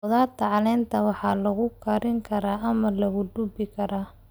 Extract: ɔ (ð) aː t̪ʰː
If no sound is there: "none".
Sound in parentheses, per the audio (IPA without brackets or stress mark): ð